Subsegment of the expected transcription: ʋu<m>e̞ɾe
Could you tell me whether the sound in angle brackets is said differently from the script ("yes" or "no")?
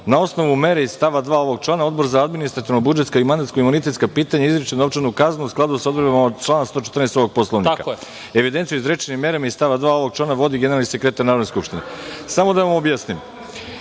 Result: no